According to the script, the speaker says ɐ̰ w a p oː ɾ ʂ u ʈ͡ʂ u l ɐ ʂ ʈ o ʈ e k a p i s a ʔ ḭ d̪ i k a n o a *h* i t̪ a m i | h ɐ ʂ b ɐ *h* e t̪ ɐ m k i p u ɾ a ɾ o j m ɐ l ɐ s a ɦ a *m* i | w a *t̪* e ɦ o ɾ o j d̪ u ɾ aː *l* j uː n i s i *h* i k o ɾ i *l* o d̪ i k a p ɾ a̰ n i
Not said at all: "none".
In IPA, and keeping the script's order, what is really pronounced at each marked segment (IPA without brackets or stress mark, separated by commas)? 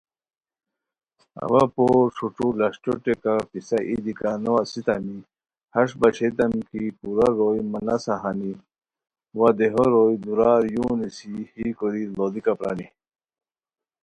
s, ɕ, n, d̪, ɾ, h, l